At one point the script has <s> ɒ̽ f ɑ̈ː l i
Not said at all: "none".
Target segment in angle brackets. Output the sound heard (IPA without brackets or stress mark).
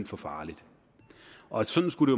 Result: f